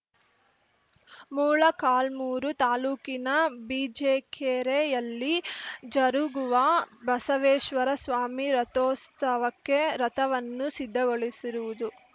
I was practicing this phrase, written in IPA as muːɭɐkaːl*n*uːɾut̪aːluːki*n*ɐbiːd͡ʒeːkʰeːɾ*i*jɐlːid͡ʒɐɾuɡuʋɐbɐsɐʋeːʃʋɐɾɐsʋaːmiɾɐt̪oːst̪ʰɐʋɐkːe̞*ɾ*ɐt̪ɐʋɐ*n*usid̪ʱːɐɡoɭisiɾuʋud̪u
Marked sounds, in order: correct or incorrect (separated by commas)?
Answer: incorrect, correct, incorrect, correct, incorrect